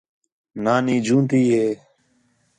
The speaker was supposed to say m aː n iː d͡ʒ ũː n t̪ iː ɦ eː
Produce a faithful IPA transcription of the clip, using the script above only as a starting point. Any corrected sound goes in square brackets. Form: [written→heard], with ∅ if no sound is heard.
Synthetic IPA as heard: [m→n] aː n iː d͡ʒ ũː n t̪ iː ɦ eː